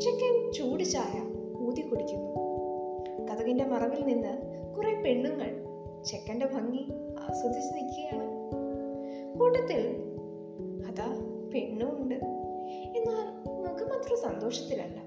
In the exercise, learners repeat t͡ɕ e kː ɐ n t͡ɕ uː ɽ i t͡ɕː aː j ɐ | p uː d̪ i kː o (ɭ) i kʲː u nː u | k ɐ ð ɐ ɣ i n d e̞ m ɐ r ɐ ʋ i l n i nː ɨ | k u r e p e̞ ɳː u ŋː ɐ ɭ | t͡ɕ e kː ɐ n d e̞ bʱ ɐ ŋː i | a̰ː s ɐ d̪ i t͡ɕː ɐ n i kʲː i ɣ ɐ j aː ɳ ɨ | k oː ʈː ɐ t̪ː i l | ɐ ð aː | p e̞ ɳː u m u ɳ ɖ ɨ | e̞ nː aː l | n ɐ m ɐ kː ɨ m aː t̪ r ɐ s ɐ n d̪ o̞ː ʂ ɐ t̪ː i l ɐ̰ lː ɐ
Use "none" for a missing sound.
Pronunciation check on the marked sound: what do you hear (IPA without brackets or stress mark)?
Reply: ɽ